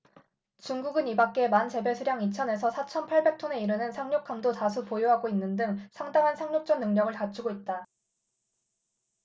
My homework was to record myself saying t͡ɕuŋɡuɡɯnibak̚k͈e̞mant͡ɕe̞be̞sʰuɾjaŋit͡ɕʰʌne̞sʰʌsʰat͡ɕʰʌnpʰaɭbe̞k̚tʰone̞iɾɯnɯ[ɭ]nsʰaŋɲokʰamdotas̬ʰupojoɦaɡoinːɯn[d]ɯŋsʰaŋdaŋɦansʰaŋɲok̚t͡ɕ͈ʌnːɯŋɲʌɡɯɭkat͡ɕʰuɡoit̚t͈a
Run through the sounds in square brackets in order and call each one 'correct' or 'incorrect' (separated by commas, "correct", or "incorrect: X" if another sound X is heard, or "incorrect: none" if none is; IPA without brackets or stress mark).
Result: incorrect: none, correct